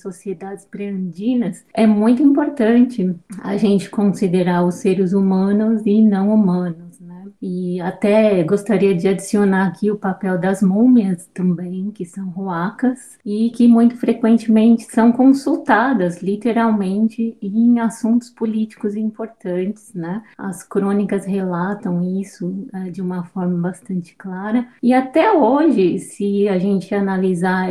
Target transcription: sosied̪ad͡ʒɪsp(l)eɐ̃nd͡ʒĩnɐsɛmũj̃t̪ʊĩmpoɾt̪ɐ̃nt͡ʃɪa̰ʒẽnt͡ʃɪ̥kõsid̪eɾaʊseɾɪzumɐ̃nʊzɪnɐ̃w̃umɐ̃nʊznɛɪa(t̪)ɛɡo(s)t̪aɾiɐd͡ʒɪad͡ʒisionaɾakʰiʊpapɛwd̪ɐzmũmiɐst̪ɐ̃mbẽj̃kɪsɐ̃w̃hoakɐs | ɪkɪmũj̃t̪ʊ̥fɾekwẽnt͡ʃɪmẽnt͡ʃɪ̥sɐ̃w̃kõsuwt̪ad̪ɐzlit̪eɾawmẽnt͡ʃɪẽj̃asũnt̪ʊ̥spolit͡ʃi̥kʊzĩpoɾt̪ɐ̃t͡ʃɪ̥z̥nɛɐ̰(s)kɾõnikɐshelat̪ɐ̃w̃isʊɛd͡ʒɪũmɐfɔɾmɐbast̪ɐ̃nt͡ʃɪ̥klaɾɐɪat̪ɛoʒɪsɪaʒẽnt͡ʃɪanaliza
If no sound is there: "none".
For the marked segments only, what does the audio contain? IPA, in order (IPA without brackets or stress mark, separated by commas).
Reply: ɾ, t̪, s, s